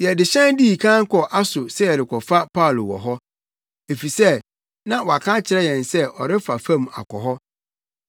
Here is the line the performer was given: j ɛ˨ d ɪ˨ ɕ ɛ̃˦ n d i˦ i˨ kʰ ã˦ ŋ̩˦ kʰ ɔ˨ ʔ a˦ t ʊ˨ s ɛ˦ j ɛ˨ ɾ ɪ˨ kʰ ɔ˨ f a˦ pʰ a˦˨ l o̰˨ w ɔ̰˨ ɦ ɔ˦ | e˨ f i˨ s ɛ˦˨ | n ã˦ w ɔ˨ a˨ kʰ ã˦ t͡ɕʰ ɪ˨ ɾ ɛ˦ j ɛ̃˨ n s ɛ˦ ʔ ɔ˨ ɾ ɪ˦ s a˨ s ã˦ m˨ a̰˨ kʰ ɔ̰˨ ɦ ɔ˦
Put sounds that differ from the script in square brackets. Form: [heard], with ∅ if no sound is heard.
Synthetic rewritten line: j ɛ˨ d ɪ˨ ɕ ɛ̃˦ n d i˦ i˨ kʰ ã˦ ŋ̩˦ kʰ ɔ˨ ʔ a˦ [s] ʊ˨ s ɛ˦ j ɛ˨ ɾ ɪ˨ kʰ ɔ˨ f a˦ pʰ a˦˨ l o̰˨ w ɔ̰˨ ɦ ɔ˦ | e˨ f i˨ s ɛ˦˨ | n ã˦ w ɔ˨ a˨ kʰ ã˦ t͡ɕʰ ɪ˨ ɾ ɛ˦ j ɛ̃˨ n s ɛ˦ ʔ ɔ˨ ɾ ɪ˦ [f] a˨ [f] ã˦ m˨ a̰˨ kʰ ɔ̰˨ ɦ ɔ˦